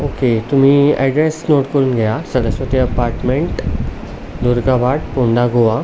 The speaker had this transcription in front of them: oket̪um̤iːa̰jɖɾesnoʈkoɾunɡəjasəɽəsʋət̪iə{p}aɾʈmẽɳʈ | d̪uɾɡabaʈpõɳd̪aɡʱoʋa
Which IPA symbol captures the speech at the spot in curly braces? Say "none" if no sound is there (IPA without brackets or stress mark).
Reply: p